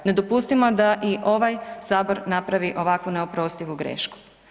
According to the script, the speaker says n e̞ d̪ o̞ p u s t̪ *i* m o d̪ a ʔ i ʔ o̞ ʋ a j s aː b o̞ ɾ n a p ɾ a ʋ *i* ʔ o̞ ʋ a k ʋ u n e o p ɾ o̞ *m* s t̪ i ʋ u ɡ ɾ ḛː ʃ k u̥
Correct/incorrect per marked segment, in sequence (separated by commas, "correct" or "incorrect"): correct, correct, incorrect